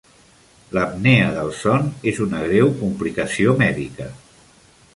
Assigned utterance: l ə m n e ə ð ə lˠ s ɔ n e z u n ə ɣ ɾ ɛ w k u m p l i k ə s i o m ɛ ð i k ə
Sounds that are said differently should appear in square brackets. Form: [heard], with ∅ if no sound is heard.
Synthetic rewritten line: l ə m n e ə ð ə lˠ s ɔ n e z u n ə ɣ ɾ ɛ w k u m p l i k ə s i o m ɛ ð i k ə